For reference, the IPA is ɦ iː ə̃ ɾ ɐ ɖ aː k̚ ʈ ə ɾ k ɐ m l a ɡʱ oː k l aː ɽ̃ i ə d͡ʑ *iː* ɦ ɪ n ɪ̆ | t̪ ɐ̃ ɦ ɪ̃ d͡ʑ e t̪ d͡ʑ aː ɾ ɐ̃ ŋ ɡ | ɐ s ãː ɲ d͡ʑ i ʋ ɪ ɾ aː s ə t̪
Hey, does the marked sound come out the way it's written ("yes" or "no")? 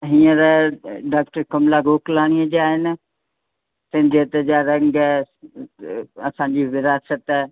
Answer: no